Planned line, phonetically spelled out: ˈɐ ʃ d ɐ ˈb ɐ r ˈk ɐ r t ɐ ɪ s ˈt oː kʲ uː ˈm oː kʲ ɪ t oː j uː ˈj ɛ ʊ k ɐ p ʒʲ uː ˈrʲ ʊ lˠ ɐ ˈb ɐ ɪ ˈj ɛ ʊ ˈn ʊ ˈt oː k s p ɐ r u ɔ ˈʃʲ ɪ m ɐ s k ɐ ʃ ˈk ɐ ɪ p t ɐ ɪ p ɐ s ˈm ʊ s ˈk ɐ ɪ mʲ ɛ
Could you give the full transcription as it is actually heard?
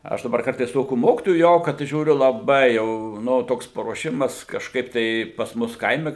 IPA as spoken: ˈɐ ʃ d ɐ ˈb ɐ r ˈk ɐ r t ɐ ɪ s ˈt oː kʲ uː ˈm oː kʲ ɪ t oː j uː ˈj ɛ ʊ k ɐ t ʒʲ uː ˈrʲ ʊ lˠ ɐ ˈb ɐ ɪ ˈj ɛ ʊ ˈn ʊ ˈt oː k s p ɐ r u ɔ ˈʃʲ ɪ m ɐ s k ɐ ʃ ˈk ɐ ɪ p t ɐ ɪ p ɐ s ˈm ʊ s ˈk ɐ ɪ mʲ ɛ